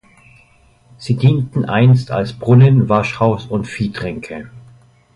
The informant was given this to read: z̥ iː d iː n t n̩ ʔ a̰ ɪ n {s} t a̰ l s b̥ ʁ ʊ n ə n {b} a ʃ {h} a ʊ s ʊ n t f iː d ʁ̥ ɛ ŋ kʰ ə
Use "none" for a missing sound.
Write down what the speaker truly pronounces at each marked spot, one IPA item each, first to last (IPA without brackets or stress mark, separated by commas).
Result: s, v, h